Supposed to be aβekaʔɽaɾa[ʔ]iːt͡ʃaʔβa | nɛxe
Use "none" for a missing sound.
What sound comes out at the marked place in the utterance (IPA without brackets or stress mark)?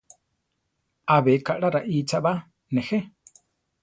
ʔ